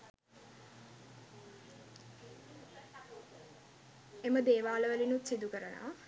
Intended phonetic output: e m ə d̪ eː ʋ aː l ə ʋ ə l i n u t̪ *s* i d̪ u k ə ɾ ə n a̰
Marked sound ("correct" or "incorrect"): correct